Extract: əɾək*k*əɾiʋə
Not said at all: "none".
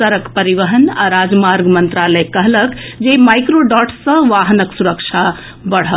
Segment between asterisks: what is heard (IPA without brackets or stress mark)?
p